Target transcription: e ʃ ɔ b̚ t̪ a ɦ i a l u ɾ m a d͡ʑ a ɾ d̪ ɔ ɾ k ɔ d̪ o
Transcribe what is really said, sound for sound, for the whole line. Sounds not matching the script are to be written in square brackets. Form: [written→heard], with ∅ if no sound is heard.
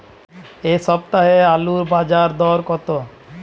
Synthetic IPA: e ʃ ɔ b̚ t̪ a ɦ [i→e] a l u ɾ [m→b] a d͡ʑ a ɾ d̪ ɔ ɾ k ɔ [d̪→t̪] o